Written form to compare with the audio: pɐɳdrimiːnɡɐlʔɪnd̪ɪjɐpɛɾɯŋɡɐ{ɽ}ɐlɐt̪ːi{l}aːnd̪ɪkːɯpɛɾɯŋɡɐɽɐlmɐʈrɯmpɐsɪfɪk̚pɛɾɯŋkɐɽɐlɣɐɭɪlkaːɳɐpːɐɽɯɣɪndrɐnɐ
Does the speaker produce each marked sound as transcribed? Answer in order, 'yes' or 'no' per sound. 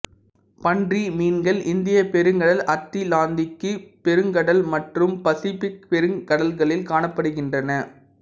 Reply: yes, yes

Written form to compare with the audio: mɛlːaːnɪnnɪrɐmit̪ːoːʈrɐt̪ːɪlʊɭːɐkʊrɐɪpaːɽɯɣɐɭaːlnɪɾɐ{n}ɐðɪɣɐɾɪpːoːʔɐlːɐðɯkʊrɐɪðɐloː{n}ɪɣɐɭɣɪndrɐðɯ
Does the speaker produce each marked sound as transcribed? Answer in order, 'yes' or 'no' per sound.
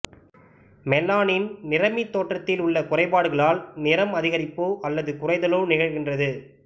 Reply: no, yes

